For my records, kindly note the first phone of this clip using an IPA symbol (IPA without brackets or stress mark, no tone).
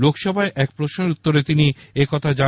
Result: l